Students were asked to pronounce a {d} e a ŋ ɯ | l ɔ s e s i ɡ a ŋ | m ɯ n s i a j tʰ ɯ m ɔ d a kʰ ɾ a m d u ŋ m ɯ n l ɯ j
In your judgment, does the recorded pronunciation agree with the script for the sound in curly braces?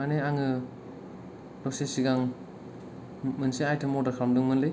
no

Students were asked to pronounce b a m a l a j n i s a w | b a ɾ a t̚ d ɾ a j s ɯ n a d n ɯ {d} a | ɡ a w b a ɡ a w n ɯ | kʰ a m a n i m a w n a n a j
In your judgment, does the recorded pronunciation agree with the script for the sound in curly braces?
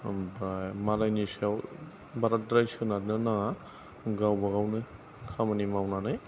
no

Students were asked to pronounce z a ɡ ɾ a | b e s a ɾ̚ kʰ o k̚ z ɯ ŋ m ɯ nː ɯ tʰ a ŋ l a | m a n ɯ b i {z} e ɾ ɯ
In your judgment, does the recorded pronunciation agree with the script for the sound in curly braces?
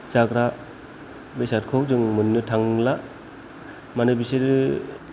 no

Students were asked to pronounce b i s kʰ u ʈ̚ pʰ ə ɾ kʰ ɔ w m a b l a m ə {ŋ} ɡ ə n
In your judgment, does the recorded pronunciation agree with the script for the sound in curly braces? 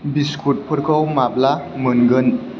no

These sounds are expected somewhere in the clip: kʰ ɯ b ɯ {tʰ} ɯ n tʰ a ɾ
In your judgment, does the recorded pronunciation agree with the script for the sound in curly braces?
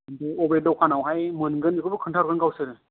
no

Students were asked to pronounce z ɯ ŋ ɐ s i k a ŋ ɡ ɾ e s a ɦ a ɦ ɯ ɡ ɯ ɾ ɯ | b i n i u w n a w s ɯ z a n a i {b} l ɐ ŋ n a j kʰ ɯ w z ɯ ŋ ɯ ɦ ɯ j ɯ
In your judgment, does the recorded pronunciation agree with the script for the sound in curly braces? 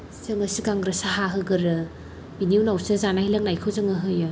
no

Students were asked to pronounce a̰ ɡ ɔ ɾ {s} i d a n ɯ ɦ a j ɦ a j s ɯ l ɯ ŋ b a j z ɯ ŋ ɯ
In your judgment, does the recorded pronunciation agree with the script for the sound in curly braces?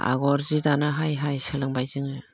no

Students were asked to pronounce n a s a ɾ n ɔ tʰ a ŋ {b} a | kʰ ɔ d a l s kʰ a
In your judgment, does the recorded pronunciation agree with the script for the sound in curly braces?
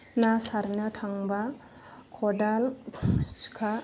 yes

